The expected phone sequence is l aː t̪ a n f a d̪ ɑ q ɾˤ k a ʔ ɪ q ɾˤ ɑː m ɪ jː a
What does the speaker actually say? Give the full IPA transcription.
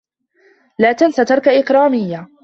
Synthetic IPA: l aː t̪ a n s a t̪ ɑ ɾˤ k a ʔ ɪ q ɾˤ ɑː m ɪ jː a

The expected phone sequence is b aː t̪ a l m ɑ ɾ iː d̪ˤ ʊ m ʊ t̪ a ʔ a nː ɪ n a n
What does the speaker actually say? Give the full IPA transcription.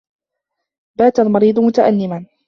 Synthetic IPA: b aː t̪ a l m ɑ ɾ iː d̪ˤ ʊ m ʊ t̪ a ʔ a nː ɪ m a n

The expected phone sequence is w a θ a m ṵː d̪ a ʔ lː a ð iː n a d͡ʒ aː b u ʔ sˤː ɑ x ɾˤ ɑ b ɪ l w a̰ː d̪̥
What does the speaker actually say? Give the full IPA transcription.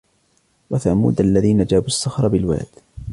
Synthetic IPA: w a θ a m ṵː d̪ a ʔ lː a ð iː n a d͡ʒ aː b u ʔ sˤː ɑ x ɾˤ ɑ b ɪ l w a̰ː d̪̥

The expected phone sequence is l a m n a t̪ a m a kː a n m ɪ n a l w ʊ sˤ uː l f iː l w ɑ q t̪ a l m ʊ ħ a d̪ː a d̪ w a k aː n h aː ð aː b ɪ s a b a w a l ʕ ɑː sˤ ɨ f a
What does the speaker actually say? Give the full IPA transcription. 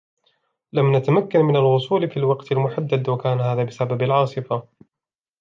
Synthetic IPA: l a m n a t̪ a m a kː a n m ɪ n a l w ʊ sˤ uː l f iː l w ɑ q t̪ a l m ʊ ħ a d̪ː a d̪ w a k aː n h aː ð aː b ɪ s a b a b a l ʕ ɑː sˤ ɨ f a

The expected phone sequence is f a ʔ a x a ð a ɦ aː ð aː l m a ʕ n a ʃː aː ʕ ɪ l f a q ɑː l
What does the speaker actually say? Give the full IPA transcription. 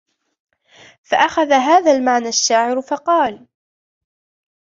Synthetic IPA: f a ʔ a x a ð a ɦ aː ð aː l m a ʕ n a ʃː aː ʕ ɪ ɾ f ɑ q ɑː l

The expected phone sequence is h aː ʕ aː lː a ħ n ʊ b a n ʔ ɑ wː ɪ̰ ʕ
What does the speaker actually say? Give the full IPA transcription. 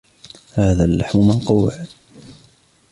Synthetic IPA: h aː ð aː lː a ħ m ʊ m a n q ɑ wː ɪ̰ ʕ

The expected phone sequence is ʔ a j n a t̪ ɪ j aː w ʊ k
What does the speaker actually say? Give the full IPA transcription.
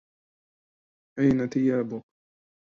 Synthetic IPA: ʔ a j n a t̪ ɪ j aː b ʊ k

